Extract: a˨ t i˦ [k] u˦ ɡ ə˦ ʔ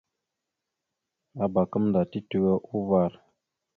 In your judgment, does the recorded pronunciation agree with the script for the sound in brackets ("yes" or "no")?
no